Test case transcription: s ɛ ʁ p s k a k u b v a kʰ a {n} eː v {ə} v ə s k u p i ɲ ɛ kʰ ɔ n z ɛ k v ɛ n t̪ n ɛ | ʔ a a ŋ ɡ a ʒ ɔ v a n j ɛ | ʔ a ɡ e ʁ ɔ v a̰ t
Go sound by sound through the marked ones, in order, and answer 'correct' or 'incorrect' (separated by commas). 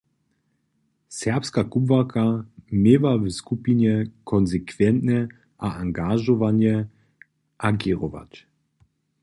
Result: incorrect, incorrect